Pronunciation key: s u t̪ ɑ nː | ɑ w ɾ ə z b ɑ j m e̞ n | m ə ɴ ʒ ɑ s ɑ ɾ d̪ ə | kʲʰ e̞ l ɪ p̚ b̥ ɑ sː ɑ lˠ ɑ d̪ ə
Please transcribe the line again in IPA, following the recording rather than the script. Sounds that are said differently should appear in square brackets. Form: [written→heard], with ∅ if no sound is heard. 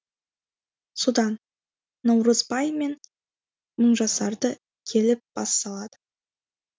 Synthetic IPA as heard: s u [t̪→d̪] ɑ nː | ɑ w ɾ ə z b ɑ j m e̞ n | m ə ɴ ʒ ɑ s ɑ ɾ d̪ ə | kʲʰ e̞ l ɪ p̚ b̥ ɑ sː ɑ lˠ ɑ d̪ ə